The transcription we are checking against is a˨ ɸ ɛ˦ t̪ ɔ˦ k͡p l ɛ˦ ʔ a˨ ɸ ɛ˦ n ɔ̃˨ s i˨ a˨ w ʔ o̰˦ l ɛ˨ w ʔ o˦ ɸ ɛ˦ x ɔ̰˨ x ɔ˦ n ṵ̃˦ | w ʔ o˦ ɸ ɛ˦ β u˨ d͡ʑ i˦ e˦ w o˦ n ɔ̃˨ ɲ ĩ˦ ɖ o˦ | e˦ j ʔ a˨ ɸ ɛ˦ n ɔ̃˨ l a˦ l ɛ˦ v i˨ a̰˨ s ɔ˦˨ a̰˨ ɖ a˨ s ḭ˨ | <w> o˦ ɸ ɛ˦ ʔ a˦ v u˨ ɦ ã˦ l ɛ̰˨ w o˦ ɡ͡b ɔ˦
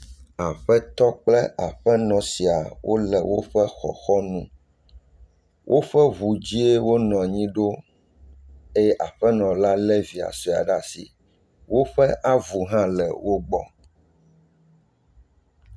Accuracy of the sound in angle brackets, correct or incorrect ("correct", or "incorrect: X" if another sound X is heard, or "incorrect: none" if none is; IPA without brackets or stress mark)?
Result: correct